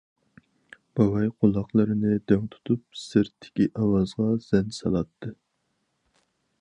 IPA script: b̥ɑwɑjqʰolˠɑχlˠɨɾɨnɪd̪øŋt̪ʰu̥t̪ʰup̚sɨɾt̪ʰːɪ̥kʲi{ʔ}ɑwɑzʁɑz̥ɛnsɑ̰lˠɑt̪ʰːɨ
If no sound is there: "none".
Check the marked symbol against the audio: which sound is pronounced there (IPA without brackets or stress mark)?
ʔ